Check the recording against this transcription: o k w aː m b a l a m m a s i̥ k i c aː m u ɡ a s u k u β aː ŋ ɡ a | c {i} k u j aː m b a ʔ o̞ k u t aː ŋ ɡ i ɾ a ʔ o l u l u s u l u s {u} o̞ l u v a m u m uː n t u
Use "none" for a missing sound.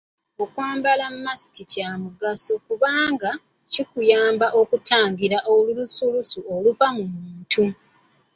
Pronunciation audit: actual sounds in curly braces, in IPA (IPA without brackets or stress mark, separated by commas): i, u